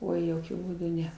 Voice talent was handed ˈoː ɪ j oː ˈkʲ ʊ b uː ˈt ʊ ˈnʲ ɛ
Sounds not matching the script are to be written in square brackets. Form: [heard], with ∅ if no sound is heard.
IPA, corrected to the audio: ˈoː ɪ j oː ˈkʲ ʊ b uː [ˈd] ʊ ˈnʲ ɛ